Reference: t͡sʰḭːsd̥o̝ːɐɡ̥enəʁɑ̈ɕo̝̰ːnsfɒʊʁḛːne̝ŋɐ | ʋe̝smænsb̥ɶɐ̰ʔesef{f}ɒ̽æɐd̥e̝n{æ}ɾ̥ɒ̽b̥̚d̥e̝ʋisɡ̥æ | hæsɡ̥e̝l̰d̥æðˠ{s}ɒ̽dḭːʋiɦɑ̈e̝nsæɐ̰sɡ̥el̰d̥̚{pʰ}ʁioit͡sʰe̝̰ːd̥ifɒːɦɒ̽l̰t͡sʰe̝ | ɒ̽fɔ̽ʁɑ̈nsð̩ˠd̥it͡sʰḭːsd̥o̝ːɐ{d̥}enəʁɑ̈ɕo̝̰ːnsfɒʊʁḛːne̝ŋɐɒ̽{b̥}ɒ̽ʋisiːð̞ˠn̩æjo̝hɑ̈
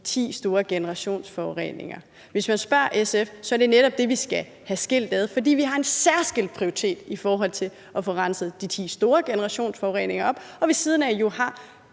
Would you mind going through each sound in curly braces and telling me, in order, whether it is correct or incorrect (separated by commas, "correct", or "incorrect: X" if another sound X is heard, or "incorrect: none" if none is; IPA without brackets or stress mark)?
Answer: incorrect: s, incorrect: e, incorrect: f, correct, incorrect: ɡ̥, correct